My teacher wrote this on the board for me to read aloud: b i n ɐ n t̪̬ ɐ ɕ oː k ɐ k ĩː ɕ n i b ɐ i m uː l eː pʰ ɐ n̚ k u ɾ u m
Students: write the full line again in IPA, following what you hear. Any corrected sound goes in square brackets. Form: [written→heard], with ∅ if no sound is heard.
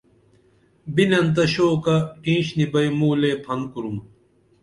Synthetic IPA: b i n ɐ n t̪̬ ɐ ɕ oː k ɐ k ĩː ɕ n i b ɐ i m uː l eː pʰ ɐ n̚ k u ɾ u m